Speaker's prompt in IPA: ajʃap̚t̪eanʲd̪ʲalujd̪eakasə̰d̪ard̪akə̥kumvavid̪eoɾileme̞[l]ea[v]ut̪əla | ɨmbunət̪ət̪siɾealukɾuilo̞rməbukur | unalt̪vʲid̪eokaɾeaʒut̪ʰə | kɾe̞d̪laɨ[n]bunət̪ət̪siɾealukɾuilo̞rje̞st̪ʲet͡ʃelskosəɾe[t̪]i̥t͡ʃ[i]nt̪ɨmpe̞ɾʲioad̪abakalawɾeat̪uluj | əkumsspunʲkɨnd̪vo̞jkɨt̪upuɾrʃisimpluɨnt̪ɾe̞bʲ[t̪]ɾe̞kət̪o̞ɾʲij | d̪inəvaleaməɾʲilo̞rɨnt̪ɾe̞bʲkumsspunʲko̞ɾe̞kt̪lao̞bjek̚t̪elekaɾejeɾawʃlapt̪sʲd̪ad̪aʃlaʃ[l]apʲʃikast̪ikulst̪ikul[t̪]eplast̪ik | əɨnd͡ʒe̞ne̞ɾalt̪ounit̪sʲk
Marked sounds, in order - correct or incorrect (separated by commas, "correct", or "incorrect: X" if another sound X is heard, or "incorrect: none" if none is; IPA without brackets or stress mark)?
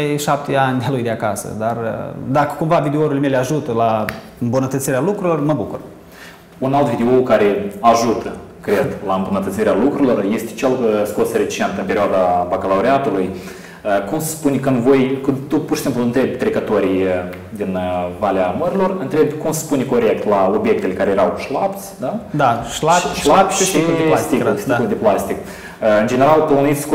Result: correct, incorrect: ʒ, incorrect: m, correct, incorrect: e, correct, correct, incorrect: d̪